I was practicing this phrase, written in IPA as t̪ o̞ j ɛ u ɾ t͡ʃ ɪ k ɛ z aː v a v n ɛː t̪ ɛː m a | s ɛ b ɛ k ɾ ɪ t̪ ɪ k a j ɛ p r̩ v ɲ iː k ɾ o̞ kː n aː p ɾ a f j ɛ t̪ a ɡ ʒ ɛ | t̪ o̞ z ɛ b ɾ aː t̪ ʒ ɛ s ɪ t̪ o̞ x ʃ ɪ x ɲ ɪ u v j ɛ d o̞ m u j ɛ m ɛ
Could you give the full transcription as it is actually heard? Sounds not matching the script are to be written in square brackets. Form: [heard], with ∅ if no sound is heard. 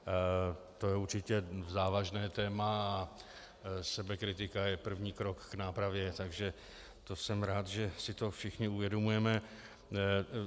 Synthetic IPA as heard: t̪ o̞ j ɛ u ɾ t͡ʃ ɪ [c] ɛ z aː v a [ʒ] n ɛː t̪ ɛː m a | s ɛ b ɛ k ɾ ɪ t̪ ɪ k a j ɛ p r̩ v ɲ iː k ɾ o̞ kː n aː p ɾ a [v] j ɛ t̪ a ɡ ʒ ɛ | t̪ o̞ [s] ɛ [m] ɾ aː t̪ ʒ ɛ s ɪ t̪ o̞ [f] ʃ ɪ x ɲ ɪ u v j ɛ d o̞ m u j ɛ m ɛ